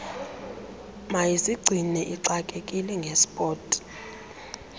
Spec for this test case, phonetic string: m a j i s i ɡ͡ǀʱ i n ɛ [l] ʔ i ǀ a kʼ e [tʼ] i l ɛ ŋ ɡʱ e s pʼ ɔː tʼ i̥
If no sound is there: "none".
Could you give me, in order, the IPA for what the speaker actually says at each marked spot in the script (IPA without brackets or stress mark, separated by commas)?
none, kʼ